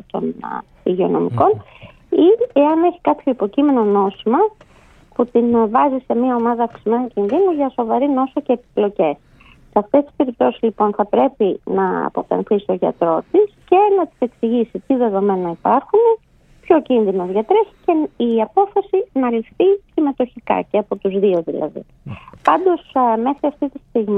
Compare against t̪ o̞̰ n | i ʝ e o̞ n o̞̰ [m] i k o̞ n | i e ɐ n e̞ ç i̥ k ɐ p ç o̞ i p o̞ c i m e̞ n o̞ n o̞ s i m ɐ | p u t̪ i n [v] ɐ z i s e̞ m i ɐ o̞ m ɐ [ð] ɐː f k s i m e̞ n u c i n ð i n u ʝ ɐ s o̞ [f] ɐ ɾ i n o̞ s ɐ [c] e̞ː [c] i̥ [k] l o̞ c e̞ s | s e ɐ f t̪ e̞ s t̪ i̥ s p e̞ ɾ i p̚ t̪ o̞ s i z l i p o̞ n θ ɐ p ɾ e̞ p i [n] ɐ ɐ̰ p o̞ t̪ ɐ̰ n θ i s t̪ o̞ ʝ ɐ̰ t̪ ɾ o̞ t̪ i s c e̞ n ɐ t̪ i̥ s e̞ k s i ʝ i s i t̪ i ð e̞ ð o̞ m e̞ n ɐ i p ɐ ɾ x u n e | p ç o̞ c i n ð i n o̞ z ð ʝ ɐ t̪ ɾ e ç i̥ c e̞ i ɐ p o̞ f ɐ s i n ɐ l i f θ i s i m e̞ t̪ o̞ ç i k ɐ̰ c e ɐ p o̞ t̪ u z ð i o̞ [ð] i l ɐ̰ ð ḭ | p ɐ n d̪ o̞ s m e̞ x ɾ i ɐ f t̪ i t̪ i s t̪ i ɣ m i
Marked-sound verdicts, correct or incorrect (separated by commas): correct, correct, correct, incorrect, correct, incorrect, incorrect, correct, correct